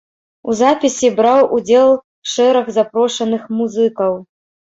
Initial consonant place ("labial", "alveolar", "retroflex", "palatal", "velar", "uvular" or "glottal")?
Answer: alveolar